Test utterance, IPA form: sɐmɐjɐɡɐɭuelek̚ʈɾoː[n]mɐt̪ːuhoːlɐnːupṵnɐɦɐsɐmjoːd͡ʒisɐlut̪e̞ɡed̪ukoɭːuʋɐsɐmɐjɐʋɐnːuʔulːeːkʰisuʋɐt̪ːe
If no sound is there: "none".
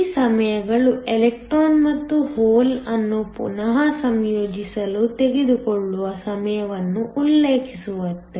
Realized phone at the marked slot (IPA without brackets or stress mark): n